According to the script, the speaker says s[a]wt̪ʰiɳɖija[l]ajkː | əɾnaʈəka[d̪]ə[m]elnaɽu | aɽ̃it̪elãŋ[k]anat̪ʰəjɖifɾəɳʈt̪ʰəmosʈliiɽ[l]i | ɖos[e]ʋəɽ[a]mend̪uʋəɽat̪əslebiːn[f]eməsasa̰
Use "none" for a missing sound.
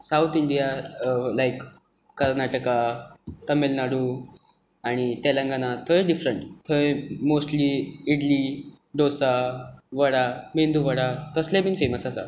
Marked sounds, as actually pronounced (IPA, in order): a, l, t̪, m, ɡ, l, a, a, f

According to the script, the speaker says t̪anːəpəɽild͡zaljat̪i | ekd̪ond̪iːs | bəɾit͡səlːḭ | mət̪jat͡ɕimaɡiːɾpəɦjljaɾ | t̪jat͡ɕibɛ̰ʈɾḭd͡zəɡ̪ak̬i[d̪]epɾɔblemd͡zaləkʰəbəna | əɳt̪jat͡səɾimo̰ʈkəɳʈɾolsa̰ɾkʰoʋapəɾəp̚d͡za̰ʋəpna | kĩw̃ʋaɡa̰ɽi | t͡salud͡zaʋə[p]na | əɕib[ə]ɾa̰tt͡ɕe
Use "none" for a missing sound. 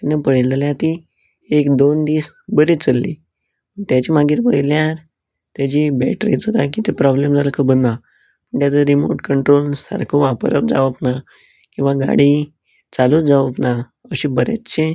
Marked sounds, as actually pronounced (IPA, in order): t̪, p, ə

